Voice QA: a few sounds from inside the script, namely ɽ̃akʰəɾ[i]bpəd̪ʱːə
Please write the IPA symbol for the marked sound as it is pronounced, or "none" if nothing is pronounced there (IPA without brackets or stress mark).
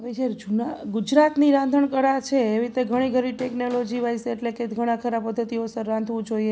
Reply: a